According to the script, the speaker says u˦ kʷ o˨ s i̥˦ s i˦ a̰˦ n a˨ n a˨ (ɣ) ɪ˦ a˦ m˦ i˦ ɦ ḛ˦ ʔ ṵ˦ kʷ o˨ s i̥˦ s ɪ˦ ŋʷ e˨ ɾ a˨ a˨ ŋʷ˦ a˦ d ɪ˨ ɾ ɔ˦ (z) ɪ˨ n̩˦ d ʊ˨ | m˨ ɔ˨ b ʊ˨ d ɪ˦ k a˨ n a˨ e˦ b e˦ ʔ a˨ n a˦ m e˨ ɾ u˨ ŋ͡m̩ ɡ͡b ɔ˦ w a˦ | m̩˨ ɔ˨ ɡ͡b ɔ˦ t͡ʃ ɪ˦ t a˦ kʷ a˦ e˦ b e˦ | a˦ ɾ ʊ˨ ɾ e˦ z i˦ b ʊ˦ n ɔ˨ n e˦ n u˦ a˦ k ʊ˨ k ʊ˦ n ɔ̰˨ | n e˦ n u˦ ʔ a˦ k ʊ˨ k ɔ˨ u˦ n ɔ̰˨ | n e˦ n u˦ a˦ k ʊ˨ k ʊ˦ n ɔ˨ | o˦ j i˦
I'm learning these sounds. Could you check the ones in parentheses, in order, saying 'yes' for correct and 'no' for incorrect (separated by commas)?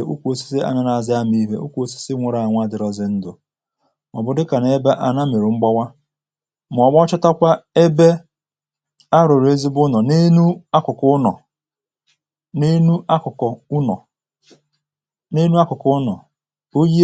no, yes